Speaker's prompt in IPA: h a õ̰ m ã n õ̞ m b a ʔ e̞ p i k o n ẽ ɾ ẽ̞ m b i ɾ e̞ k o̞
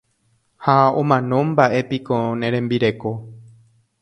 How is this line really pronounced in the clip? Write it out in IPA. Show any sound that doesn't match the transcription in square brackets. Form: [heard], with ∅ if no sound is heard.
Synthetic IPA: h a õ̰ m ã n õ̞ m b a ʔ e̞ p i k o n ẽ ɾ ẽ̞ m b i ɾ e̞ k o̞